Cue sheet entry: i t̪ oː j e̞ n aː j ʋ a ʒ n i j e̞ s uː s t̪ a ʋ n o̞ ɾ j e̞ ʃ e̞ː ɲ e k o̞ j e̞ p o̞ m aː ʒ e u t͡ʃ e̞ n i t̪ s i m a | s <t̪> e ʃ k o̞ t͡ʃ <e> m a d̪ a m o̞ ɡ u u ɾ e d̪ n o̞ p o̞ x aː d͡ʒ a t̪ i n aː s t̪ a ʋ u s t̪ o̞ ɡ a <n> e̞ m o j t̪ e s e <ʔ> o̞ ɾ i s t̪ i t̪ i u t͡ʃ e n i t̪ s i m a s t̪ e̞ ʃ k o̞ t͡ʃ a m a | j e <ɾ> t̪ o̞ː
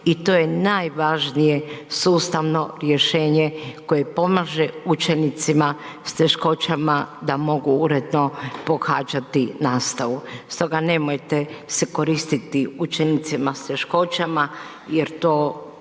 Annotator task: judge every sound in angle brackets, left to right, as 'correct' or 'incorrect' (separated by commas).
correct, incorrect, correct, incorrect, correct